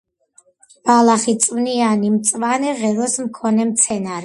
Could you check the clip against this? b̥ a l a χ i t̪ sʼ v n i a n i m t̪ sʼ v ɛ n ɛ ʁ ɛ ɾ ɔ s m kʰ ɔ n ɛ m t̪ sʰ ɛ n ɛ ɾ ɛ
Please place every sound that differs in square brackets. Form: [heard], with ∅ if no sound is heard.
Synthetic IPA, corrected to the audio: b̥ a l a χ i t̪ sʼ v n i a n i m t̪ sʼ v [a] n ɛ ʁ ɛ ɾ ɔ s m kʰ ɔ n ɛ m t̪ sʰ ɛ n [a] ɾ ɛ